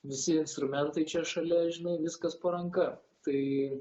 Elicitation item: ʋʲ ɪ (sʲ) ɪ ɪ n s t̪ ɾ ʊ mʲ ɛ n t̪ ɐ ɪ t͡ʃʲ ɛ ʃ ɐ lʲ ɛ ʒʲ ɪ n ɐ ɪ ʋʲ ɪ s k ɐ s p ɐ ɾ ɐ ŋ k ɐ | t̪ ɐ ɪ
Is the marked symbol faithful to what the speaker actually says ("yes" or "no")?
yes